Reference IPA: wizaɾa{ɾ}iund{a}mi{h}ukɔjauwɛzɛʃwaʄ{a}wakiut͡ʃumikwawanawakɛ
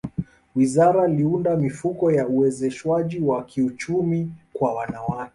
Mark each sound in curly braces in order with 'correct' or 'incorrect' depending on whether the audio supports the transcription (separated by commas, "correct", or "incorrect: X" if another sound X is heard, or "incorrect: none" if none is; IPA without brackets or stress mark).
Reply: incorrect: l, correct, incorrect: f, incorrect: i